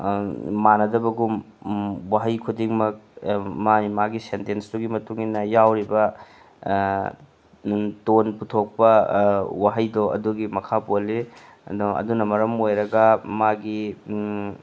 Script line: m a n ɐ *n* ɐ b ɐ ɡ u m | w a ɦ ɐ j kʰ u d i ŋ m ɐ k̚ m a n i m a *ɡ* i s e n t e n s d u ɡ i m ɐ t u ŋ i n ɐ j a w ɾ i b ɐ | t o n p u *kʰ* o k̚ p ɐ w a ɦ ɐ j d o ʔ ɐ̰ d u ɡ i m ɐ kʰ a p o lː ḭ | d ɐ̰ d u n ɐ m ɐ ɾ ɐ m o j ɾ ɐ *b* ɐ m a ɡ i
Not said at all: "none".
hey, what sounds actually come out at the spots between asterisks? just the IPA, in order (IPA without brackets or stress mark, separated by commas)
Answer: d, ɡ, tʰ, ɡ